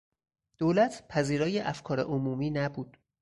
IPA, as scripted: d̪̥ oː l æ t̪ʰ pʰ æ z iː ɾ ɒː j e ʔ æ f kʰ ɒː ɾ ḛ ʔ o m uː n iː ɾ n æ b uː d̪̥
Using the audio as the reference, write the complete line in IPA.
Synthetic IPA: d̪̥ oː l æ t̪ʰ pʰ æ z iː ɾ ɒː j e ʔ æ f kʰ ɒː ɾ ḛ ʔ o m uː m iː n æ b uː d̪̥